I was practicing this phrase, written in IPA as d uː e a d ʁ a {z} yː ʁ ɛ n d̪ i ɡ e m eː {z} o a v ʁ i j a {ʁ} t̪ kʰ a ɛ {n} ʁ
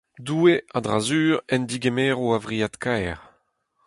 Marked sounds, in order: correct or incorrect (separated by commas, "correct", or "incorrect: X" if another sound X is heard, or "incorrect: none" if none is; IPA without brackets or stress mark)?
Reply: correct, incorrect: ʁ, incorrect: none, incorrect: none